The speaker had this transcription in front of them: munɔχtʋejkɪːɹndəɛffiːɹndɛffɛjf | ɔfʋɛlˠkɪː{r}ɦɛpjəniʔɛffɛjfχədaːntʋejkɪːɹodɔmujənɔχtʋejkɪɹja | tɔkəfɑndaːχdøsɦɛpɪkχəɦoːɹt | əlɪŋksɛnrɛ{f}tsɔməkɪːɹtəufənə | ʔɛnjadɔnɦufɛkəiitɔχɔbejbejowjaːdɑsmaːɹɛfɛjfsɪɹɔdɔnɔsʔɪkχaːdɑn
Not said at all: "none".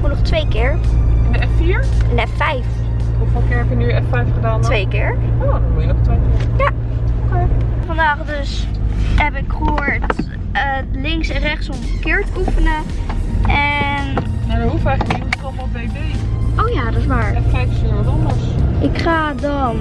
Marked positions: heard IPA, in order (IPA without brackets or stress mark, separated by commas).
ɹ, χ